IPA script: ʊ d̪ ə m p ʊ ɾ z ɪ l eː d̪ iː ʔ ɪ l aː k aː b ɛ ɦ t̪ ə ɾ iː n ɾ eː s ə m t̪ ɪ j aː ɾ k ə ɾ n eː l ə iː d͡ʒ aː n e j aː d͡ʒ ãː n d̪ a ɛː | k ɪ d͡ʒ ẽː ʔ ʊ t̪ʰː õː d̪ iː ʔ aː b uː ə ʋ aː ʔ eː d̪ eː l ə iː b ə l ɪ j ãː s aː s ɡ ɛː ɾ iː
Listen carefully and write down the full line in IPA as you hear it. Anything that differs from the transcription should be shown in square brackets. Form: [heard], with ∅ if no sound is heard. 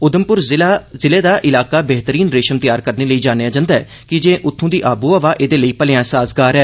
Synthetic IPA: ʊ d̪ ə m p ʊ ɾ z ɪ l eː d̪ [aː] ʔ ɪ l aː k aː b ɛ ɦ t̪ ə ɾ iː n ɾ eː [ʃ] ə m t̪ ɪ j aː ɾ k ə ɾ n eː l ə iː d͡ʒ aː n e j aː d͡ʒ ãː n d̪ a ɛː | k ɪ d͡ʒ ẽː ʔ ʊ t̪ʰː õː d̪ iː ʔ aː b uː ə ʋ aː ʔ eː d̪ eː l ə iː [p] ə l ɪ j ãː s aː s ɡ [aː] ɾ [ɛː]